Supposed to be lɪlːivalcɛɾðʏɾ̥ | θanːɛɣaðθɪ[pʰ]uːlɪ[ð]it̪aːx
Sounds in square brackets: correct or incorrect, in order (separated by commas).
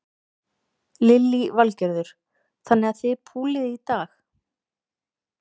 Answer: correct, correct